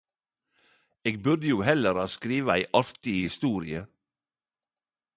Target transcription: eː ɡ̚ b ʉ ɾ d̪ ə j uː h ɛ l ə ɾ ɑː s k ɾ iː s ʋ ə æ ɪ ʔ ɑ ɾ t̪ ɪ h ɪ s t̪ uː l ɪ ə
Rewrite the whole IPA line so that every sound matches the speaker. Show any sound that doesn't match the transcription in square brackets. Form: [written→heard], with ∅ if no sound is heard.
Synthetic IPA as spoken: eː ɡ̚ b ʉ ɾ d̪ ə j uː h ɛ l ə ɾ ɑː s k ɾ iː [s→∅] ʋ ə æ ɪ ʔ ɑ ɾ t̪ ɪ h ɪ s t̪ uː [l→ɾ] ɪ ə